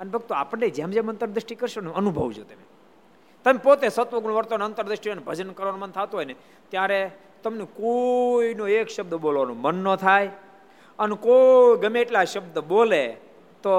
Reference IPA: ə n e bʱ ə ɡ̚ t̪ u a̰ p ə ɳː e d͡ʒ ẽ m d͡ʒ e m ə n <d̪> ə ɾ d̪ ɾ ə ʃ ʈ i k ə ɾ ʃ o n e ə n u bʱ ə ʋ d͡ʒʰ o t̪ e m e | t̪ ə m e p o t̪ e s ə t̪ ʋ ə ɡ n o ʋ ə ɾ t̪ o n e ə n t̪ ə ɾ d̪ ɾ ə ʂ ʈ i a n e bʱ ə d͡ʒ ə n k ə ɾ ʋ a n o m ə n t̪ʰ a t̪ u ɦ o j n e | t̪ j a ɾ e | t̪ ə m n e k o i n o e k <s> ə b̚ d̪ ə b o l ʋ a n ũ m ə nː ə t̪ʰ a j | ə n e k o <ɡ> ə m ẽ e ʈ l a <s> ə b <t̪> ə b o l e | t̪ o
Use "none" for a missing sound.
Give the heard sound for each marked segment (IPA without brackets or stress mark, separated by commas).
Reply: t̪, ʃ, ɡ, ʃ, d̪